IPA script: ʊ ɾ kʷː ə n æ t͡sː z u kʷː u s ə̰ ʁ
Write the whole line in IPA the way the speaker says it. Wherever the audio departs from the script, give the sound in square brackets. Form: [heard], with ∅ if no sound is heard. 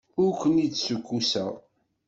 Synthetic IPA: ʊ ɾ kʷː ə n [i] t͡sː [s] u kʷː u s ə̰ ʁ